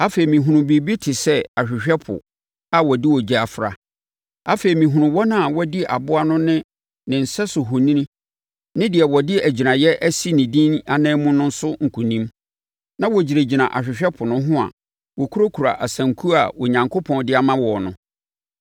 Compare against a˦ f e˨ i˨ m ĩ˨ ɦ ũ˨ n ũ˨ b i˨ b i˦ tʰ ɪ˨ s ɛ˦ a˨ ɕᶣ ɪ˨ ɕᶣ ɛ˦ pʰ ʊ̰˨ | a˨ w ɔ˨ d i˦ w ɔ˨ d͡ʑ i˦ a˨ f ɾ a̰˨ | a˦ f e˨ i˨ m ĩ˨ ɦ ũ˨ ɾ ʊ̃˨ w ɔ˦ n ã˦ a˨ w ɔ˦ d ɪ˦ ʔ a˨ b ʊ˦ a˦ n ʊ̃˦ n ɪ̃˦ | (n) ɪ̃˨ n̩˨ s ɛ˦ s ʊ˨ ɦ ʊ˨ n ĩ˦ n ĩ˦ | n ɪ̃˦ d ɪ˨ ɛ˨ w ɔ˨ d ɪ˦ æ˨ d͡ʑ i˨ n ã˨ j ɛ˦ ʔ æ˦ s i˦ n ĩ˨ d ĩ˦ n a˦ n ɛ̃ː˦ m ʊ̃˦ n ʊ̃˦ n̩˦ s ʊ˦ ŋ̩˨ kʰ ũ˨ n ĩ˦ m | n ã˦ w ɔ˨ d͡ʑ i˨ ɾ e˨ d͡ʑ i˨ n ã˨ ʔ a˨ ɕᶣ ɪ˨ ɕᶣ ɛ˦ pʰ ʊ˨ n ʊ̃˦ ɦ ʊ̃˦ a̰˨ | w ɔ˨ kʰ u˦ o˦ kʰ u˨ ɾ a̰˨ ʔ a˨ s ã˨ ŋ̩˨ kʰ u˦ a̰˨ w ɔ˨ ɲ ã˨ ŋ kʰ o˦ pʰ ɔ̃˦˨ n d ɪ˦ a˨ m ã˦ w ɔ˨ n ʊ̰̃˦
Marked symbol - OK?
yes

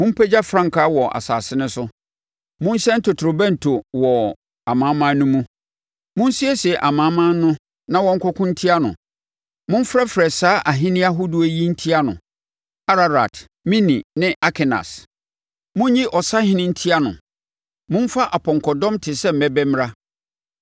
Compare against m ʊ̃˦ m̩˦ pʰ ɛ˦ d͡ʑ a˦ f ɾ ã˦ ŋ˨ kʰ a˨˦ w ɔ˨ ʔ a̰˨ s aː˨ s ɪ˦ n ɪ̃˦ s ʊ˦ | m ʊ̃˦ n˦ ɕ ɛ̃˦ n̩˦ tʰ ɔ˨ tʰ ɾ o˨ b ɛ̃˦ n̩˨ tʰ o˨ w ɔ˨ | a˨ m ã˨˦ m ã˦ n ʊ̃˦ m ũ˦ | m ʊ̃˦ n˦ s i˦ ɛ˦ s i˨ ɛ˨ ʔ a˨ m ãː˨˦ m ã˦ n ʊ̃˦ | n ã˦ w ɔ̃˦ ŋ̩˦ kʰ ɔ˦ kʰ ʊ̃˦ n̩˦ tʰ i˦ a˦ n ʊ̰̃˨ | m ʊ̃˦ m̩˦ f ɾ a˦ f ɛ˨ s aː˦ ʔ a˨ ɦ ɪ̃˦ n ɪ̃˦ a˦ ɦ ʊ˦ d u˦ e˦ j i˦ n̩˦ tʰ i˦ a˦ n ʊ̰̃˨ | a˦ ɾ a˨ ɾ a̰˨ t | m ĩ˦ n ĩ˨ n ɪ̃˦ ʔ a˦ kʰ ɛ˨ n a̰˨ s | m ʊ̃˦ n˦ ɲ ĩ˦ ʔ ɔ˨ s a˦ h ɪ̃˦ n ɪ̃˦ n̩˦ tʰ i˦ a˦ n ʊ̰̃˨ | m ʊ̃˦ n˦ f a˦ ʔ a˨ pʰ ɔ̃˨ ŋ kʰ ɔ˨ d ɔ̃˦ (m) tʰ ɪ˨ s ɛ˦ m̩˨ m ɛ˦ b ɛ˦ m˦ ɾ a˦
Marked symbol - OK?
yes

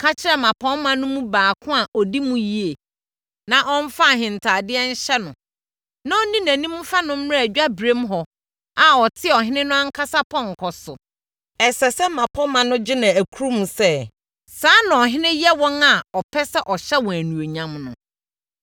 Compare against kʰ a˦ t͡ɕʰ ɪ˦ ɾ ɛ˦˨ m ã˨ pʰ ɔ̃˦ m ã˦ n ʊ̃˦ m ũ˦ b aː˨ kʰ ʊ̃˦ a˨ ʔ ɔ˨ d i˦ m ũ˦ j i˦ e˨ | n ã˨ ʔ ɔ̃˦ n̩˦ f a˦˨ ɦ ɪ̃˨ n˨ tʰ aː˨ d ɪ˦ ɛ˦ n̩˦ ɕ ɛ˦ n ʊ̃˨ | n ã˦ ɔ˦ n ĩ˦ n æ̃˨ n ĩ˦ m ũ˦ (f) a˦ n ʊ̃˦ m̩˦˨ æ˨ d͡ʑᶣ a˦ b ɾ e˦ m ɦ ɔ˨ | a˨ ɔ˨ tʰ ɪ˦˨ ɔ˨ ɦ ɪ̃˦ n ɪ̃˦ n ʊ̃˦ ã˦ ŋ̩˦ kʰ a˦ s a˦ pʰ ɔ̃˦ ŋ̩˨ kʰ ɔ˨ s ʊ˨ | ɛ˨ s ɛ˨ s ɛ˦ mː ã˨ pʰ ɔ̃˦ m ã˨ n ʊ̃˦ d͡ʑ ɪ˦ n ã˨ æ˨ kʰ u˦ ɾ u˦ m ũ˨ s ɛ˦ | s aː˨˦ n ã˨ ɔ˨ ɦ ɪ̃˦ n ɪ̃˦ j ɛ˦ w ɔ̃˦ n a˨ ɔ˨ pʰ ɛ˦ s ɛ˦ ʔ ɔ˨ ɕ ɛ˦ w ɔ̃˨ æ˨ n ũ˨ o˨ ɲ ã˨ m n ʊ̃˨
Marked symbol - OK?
yes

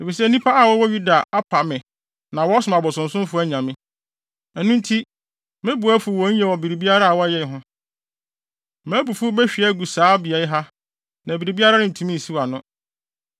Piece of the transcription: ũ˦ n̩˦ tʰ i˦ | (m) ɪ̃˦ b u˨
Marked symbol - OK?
yes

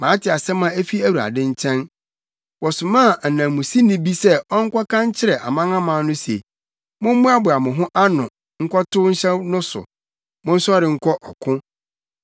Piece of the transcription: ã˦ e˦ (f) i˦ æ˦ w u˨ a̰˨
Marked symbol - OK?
yes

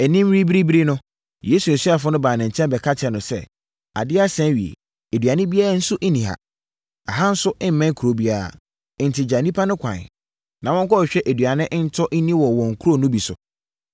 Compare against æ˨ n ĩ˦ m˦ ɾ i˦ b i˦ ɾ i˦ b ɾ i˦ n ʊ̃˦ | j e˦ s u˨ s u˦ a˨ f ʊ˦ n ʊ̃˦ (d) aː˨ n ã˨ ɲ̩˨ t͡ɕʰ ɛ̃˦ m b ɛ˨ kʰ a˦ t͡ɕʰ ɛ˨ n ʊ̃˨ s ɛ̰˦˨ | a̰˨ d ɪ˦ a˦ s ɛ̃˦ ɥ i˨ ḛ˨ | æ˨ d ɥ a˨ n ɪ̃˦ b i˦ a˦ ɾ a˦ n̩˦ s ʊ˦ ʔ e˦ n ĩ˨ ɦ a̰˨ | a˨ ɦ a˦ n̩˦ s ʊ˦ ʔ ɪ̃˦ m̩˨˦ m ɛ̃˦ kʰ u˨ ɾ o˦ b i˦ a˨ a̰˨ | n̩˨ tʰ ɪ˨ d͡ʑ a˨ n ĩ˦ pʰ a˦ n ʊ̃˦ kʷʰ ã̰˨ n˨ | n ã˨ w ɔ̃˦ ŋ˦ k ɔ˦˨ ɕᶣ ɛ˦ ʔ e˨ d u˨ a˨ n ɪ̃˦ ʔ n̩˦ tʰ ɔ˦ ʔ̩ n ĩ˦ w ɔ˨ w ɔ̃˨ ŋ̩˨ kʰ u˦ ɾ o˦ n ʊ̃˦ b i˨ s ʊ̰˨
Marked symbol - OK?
no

